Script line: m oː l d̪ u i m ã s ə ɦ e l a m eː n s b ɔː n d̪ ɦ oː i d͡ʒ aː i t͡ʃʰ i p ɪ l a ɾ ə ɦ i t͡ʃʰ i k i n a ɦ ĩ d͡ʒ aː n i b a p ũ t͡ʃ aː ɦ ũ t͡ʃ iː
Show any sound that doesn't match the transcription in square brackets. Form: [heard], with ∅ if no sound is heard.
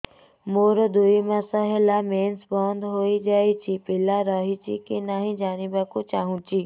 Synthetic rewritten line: m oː [ɾ] d̪ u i m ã s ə ɦ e l a m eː n s b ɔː n d̪ ɦ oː i d͡ʒ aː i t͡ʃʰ i p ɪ l a ɾ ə ɦ i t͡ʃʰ i k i n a ɦ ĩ d͡ʒ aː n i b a [k] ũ t͡ʃ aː ɦ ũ t͡ʃ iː